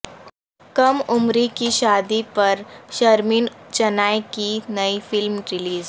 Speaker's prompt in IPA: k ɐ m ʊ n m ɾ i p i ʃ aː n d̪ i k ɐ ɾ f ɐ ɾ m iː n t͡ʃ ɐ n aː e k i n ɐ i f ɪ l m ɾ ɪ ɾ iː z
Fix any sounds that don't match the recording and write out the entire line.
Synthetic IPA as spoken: k ɐ m ʊ m ɾ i k i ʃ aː d̪ i p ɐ ɾ ʃ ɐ ɾ m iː n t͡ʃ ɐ n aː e k i n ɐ i f ɪ l m ɾ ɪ l iː z